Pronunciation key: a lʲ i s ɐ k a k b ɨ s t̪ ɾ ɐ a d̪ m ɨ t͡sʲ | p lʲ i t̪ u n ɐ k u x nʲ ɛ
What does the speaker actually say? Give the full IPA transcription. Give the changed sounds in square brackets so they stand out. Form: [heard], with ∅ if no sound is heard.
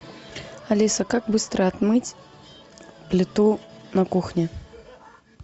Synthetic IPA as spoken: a lʲ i s ɐ k a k b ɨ s t̪ ɾ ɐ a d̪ m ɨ t͡sʲ | p lʲ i t̪ u n ɐ k u x nʲ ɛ